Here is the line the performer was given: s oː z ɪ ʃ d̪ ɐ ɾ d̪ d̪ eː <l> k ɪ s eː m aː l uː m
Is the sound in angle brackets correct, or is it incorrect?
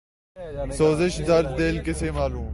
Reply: correct